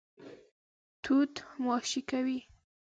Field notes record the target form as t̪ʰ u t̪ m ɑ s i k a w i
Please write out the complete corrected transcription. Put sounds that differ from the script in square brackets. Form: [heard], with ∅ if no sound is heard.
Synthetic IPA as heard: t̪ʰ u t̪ m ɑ [ʃ] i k a w i